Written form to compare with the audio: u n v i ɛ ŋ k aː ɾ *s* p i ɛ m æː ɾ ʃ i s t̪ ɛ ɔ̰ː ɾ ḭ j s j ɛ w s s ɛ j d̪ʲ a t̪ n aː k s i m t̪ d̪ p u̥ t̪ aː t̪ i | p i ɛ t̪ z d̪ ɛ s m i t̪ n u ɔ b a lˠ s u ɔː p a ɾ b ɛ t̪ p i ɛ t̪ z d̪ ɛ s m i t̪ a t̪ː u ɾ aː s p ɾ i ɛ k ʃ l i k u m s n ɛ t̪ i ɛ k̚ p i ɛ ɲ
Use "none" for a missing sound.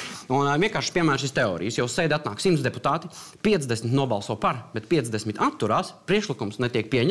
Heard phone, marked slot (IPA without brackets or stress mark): ʃ